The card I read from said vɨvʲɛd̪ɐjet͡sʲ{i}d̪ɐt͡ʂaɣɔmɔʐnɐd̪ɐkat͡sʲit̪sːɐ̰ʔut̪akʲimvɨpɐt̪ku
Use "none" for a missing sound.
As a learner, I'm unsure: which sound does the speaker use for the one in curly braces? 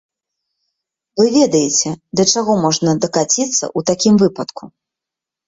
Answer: ɛ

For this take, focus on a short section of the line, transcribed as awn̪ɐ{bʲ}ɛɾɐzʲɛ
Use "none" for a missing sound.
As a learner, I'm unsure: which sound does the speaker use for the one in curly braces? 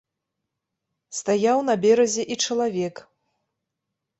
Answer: bʲ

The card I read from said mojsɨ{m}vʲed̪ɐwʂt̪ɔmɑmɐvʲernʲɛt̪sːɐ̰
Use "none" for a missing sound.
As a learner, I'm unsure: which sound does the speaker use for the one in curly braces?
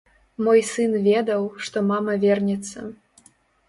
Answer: n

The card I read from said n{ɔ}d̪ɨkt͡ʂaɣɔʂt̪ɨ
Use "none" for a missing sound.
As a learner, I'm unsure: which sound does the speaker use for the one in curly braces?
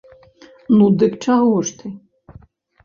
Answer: u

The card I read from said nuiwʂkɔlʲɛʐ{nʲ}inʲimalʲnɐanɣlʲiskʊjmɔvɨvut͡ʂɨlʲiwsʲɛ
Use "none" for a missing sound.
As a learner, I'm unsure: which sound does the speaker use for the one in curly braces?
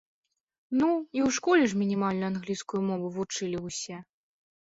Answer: mʲ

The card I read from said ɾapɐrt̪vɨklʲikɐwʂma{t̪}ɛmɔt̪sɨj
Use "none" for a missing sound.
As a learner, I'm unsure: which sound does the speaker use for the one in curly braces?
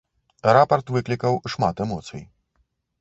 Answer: t̪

